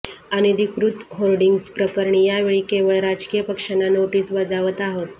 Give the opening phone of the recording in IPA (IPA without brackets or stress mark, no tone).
a